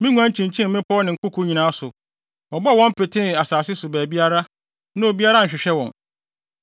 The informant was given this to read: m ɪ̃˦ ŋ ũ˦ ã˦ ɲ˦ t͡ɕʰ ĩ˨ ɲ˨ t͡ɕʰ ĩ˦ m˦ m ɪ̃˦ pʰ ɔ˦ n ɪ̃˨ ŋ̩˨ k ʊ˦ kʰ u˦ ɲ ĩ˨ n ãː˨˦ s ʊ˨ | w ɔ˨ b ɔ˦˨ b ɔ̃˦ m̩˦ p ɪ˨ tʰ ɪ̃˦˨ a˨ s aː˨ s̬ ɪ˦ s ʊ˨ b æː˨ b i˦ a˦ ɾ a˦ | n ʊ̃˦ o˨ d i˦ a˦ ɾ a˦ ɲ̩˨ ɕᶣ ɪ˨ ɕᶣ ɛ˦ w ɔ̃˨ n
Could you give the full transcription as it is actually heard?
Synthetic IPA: m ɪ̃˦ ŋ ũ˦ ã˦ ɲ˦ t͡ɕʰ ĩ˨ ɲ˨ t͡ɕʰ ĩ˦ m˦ m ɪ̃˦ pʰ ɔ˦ n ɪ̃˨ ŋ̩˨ k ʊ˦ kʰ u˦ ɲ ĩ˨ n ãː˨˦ s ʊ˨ | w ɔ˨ b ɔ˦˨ w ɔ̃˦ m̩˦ p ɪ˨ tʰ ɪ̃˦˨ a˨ s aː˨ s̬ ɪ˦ s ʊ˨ b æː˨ b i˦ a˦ ɾ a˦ | n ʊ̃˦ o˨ b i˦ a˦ ɾ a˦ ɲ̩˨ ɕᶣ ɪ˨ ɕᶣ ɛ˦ w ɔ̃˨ n